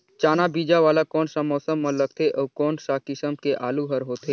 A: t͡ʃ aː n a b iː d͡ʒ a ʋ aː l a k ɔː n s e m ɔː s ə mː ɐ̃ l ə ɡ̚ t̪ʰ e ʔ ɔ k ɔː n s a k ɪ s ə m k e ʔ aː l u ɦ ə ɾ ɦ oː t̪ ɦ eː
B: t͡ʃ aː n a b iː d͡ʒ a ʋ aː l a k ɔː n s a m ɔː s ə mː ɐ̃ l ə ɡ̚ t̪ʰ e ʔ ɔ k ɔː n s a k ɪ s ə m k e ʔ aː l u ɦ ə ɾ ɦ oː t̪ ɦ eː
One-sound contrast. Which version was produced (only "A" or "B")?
B